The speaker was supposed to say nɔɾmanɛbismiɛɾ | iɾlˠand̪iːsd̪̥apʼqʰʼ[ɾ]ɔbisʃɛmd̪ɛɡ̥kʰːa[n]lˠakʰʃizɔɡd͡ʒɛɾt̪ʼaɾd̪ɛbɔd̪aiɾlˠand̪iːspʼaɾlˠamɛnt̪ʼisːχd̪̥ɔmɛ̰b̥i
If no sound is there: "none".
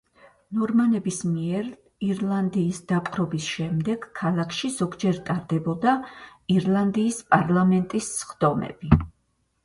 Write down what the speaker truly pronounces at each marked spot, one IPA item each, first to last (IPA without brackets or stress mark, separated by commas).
ɾ, none